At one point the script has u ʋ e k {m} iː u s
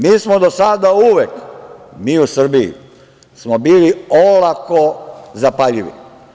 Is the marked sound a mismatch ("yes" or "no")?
no